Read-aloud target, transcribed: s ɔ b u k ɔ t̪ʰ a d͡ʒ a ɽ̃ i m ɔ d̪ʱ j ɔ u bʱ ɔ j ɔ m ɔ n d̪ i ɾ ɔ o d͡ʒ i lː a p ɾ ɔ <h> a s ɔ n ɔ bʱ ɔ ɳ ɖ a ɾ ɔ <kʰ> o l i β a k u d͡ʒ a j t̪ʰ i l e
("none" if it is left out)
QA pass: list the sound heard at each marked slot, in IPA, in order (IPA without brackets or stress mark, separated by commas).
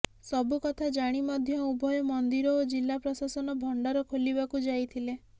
s, kʰ